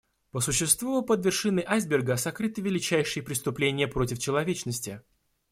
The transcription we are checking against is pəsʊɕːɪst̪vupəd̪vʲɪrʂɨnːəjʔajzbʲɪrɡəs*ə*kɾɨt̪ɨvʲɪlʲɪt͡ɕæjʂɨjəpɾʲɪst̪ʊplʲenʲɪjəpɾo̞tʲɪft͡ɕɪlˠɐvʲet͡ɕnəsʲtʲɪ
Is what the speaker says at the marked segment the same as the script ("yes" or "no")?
no